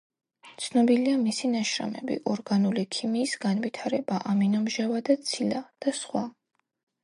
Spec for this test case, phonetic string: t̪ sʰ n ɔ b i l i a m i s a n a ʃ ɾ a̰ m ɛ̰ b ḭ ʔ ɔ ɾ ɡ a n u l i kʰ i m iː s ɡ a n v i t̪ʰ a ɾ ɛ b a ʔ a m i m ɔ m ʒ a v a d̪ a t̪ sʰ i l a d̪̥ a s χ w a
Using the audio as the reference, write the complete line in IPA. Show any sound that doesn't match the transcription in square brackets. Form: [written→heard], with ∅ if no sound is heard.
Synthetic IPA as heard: t̪ sʰ n ɔ b i l i a m i s [a→i] n a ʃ ɾ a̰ m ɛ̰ b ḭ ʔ ɔ ɾ ɡ a n u l i kʰ i m iː s ɡ a n v i t̪ʰ a ɾ ɛ b a ʔ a m i [m→n] ɔ m ʒ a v a d̪ a t̪ sʰ i l a d̪̥ a s χ w a